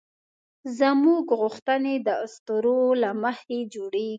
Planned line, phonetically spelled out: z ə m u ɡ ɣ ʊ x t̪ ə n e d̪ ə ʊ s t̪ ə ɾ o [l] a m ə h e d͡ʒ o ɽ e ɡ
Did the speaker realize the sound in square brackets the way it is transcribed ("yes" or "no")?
yes